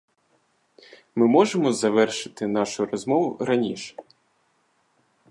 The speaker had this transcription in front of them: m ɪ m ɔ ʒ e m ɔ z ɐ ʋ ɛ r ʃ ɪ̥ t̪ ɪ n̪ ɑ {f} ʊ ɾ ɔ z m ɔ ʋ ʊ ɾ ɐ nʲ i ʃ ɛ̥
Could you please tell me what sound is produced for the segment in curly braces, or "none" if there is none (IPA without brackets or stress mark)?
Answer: ʃ